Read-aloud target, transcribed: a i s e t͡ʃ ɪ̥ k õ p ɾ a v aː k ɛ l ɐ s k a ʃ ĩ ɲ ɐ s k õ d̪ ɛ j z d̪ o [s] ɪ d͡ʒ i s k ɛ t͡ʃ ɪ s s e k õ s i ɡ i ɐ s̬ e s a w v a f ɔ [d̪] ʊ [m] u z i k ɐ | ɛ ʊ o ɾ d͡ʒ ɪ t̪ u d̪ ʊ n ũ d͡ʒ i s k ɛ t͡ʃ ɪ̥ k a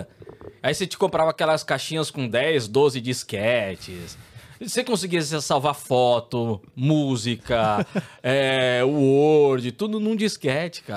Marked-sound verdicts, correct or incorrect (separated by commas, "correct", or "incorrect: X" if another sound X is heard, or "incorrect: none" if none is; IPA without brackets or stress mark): incorrect: z, incorrect: t̪, correct